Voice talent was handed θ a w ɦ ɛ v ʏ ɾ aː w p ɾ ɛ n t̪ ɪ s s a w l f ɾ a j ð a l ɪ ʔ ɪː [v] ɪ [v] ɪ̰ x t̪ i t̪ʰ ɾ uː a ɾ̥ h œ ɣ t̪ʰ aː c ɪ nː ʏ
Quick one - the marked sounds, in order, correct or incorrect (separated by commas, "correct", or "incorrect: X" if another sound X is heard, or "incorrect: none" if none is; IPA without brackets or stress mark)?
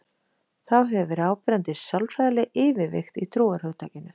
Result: correct, correct